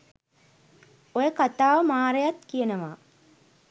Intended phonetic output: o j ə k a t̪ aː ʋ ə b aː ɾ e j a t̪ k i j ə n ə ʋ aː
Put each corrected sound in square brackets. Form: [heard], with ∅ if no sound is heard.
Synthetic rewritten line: o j ə k a t̪ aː ʋ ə [m] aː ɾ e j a t̪ k i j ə n ə ʋ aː